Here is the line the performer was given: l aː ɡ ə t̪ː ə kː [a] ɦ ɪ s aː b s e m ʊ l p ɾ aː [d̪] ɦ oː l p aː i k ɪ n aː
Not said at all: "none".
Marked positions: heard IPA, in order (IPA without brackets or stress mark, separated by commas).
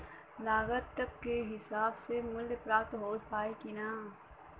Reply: e, t̪